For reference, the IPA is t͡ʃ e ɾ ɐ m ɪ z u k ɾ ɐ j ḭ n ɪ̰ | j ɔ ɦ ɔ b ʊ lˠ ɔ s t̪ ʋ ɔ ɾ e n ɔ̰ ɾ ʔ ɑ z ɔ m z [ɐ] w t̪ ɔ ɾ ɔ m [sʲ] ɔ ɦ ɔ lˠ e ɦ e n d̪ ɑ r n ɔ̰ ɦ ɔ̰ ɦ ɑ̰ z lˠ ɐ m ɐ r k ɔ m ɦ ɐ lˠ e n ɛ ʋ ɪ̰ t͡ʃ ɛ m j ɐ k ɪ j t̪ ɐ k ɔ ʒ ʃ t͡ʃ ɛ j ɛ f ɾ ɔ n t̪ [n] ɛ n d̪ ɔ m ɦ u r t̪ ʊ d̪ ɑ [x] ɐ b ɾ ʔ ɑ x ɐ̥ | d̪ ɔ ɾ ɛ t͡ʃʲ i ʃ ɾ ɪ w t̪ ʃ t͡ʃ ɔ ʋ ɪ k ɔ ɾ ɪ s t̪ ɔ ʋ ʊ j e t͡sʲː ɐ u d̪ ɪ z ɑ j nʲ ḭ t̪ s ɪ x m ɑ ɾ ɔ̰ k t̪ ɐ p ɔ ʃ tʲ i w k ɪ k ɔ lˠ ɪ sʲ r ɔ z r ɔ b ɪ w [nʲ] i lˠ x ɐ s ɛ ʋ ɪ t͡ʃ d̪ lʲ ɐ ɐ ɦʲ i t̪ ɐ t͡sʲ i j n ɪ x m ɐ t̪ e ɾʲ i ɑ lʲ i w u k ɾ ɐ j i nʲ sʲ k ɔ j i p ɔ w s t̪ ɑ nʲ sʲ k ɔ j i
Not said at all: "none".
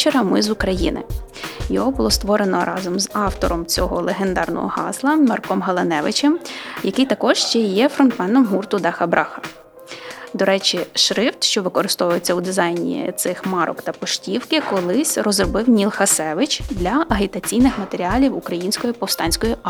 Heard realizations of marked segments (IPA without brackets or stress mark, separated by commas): ɑ, t͡sʲ, m, x, nʲ